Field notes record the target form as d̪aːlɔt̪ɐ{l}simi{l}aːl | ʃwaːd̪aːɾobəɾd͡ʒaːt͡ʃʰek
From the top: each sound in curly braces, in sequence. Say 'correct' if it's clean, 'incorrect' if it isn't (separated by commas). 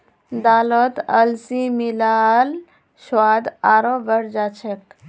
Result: correct, correct